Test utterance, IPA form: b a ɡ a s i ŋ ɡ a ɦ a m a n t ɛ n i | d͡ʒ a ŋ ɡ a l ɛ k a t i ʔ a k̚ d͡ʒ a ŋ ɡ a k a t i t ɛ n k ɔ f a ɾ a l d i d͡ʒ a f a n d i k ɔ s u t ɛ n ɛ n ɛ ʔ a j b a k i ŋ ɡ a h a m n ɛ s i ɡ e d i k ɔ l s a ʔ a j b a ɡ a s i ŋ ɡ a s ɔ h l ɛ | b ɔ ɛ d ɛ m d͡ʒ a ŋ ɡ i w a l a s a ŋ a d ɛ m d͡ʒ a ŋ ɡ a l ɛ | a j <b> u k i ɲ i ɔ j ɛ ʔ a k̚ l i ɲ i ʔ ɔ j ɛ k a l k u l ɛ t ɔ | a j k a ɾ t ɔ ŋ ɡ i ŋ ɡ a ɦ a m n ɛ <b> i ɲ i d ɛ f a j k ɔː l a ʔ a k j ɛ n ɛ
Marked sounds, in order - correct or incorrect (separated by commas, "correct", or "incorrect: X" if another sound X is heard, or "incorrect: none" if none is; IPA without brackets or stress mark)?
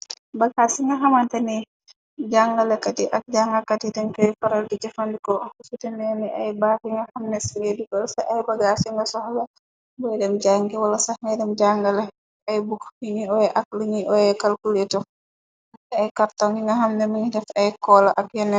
correct, incorrect: m